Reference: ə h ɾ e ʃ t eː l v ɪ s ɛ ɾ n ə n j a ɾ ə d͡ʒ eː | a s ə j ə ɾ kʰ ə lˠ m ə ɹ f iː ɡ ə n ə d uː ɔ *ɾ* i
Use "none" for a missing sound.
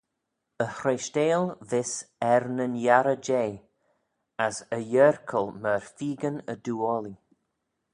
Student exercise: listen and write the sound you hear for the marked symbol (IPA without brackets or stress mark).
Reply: l